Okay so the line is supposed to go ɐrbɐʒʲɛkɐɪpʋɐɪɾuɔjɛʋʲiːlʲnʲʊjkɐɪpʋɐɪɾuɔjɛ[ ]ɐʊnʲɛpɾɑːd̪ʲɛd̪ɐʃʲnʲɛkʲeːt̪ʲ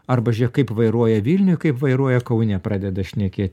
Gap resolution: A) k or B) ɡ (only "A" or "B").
A